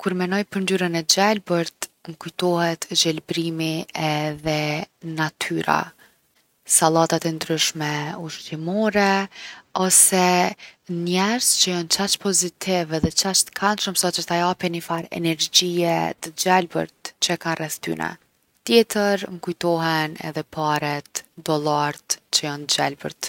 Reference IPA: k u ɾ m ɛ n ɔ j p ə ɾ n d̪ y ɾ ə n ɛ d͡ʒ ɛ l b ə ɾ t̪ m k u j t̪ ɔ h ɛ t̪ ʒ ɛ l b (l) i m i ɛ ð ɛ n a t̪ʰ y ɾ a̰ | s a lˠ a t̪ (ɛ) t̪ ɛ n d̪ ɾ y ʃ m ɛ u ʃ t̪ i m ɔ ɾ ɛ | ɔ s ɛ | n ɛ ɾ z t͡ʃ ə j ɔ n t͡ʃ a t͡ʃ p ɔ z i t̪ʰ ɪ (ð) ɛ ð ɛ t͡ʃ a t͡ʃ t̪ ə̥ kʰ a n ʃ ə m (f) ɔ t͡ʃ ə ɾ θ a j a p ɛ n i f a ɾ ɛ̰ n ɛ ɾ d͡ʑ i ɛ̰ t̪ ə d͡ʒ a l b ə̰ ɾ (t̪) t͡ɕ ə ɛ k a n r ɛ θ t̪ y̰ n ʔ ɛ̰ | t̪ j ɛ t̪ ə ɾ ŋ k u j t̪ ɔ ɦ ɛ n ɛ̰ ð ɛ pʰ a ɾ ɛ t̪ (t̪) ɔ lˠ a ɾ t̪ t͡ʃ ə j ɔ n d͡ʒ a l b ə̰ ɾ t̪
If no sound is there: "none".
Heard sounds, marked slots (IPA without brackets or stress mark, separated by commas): ɾ, a, v, s, t̪, d̪